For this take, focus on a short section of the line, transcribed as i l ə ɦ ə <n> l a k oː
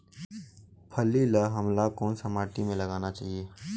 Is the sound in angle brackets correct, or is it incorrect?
incorrect